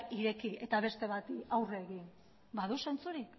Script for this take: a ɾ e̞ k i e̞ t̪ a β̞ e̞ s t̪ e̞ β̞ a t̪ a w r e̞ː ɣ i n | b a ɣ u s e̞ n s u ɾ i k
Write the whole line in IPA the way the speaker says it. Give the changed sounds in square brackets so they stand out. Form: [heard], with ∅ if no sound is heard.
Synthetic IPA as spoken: [i] ɾ e̞ k i e̞ t̪ a β̞ e̞ s t̪ e̞ β̞ a t̪ a w r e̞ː ɣ i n | b a [ð] u s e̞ n [t͡s] u ɾ i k